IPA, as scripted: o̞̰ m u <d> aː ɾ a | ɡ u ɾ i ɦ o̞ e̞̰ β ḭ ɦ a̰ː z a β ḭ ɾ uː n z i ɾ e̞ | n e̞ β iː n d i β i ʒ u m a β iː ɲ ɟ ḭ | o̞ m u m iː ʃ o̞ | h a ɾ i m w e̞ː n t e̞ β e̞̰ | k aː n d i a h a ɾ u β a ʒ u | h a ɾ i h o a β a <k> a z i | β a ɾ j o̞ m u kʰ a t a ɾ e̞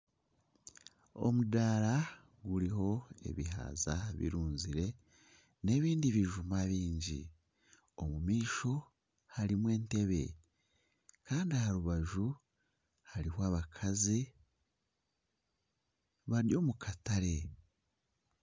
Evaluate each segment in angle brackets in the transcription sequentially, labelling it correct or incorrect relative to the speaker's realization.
correct, incorrect: kʰ

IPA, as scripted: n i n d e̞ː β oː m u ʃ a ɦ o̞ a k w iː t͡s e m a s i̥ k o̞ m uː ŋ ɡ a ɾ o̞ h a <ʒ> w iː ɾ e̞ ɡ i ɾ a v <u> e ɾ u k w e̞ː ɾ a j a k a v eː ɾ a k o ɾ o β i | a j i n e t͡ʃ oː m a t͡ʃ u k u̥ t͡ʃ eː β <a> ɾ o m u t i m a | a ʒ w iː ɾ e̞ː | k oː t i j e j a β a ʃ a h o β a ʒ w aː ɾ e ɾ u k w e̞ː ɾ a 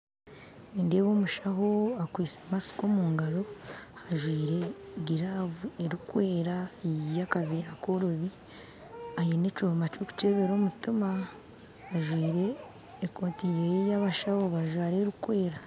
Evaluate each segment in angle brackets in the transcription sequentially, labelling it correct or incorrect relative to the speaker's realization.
correct, correct, incorrect: e

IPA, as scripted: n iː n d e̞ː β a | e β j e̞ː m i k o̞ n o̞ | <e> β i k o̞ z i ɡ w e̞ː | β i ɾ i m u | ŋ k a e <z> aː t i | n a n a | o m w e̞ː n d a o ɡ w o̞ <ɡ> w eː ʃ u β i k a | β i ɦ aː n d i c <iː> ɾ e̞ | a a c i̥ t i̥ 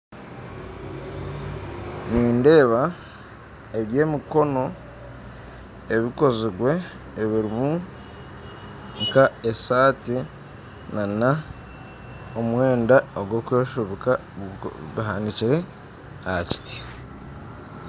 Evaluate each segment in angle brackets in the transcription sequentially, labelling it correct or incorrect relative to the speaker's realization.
correct, incorrect: s, incorrect: k, incorrect: i

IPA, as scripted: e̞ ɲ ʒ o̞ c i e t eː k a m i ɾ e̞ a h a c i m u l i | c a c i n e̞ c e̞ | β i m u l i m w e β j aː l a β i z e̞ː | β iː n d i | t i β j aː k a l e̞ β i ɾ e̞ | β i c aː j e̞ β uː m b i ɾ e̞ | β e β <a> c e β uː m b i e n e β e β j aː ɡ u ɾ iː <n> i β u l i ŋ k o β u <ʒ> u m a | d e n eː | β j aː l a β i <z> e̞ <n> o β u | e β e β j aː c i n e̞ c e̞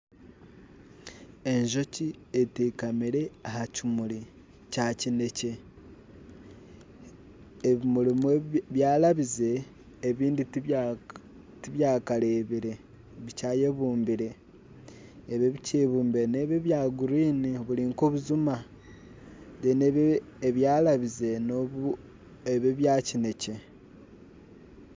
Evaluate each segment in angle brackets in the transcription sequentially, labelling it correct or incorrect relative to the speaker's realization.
incorrect: i, correct, incorrect: z, correct, correct

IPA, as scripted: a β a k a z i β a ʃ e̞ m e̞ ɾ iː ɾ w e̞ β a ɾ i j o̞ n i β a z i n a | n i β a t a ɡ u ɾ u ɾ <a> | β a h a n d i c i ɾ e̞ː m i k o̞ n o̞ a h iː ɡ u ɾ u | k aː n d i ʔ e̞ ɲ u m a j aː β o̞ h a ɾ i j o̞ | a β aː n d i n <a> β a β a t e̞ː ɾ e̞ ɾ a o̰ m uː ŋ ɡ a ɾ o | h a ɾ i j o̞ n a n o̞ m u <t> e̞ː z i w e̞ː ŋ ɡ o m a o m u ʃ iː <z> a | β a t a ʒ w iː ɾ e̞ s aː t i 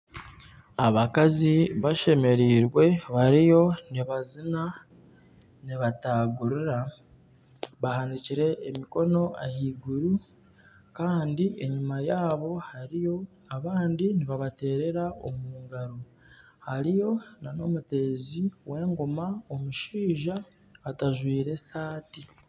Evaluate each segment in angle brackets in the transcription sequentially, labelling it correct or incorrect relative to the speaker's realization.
correct, incorrect: i, correct, incorrect: ʒ

